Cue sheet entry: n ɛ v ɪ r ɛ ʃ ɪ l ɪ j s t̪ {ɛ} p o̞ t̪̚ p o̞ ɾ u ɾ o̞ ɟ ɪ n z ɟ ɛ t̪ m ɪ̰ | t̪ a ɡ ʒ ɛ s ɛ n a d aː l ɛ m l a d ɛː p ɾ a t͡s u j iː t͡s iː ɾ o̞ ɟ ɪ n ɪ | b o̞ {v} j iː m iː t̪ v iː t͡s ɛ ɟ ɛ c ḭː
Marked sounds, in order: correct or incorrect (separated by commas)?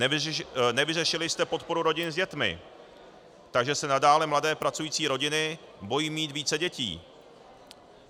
correct, incorrect